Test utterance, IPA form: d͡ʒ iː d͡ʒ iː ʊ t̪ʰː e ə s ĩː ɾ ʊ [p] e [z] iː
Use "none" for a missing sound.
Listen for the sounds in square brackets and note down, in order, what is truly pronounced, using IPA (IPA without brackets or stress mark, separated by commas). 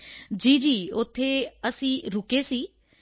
k, s